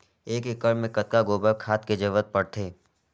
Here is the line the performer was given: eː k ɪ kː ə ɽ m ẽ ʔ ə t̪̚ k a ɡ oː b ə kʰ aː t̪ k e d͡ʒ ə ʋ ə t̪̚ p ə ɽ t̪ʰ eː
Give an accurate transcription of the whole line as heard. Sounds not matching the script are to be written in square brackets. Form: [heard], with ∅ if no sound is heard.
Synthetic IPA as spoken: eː k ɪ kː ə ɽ m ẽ [k] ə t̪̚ k a ɡ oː b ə kʰ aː t̪ k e d͡ʒ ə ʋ ə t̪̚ p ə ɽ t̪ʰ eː